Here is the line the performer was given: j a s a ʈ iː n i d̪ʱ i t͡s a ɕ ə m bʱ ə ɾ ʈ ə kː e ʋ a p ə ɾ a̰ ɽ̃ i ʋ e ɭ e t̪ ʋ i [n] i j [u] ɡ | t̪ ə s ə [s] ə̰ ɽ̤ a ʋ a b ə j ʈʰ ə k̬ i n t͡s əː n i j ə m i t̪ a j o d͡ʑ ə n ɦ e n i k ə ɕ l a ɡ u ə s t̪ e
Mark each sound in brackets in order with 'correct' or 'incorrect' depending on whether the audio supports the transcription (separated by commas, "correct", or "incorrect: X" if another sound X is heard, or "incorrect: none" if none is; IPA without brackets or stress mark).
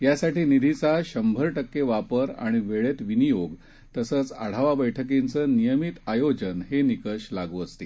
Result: correct, incorrect: o, incorrect: t͡s